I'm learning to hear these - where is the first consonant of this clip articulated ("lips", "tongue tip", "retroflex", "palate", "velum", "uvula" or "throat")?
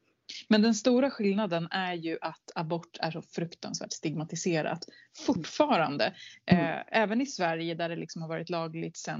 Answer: lips